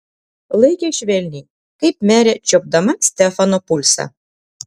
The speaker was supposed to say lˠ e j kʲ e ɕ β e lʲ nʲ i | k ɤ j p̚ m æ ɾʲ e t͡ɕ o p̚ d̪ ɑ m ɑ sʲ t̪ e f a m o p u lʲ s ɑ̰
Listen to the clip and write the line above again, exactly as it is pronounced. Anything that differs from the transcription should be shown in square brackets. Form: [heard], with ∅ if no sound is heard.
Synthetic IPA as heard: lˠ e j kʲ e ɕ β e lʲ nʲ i | k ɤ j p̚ m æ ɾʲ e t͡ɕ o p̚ d̪ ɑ m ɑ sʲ t̪ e f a [n] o p u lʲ s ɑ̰